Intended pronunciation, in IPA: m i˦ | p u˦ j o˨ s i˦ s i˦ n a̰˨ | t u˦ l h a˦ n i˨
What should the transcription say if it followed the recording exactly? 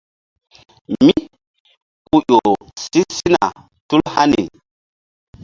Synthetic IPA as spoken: m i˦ | k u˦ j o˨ s i˦ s i˦ n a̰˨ | t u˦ l h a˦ n i˨